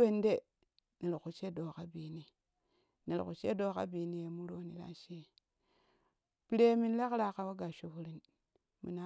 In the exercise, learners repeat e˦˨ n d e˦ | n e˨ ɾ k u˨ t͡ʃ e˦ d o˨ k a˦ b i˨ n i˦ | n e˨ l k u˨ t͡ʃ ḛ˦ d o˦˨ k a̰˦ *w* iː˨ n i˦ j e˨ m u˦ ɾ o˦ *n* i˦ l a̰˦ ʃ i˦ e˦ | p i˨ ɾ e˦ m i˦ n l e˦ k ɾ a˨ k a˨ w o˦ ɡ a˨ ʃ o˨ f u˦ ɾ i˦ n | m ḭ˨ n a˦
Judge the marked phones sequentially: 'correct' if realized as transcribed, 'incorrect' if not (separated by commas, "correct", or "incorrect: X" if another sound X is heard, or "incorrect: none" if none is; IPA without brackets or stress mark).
incorrect: b, correct